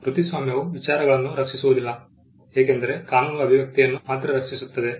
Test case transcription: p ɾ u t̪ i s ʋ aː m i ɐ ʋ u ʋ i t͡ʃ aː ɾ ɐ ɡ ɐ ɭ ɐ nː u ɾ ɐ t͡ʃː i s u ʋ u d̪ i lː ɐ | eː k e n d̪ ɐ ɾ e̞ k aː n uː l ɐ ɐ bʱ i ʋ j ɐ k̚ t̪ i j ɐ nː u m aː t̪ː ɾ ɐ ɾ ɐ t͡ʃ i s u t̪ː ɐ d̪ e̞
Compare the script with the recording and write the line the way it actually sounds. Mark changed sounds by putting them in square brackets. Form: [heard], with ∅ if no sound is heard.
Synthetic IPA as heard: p ɾ u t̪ i s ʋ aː m [j] ɐ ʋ u ʋ i t͡ʃ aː ɾ ɐ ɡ ɐ ɭ ɐ nː u ɾ ɐ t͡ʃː i s u ʋ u d̪ i lː ɐ | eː k e n d̪ ɐ ɾ e̞ k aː n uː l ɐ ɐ bʱ i ʋ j ɐ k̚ t̪ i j ɐ nː u m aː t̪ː ɾ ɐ ɾ ɐ t͡ʃ i s u t̪ː ɐ d̪ e̞